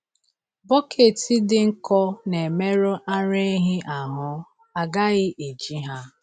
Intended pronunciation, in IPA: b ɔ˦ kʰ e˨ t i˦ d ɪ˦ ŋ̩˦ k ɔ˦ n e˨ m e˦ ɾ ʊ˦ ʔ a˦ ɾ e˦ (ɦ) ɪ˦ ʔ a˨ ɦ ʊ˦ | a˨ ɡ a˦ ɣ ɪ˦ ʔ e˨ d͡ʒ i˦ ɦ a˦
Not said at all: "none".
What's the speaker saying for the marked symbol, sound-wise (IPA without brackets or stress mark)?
ɦ